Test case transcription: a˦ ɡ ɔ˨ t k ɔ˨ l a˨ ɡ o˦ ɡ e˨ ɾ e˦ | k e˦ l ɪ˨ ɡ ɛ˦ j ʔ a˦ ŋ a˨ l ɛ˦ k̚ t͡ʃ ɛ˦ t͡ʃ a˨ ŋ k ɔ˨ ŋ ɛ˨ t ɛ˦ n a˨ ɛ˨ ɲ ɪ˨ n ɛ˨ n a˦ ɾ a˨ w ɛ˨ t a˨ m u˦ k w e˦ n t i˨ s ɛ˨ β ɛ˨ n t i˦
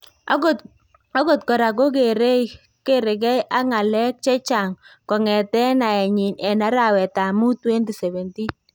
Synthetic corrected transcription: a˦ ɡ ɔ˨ t k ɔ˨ ɾ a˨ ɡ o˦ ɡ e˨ ɾ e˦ | k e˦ ɾ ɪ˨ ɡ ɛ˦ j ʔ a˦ ŋ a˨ l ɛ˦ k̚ t͡ʃ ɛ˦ t͡ʃ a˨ ŋ k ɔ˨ ŋ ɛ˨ t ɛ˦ n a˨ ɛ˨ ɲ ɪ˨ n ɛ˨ n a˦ ɾ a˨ w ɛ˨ t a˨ m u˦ t w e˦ n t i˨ s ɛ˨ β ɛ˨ n t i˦